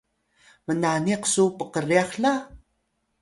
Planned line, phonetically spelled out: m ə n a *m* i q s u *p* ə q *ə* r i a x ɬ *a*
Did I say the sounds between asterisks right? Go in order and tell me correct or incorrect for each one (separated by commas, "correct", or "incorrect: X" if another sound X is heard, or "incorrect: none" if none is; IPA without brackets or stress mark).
incorrect: n, correct, correct, correct